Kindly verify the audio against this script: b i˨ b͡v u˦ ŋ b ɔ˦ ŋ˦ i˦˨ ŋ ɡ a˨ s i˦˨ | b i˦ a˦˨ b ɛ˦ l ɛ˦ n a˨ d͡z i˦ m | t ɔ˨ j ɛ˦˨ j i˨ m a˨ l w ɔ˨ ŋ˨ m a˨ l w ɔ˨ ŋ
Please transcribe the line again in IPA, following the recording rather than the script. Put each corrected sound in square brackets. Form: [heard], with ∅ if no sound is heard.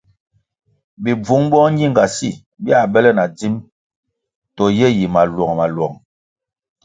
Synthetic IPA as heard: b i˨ b͡v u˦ ŋ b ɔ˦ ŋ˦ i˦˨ ŋ ɡ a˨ s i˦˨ | b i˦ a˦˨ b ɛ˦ l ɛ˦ n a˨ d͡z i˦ m | t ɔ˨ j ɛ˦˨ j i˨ m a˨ l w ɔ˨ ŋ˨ m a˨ l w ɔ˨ ŋ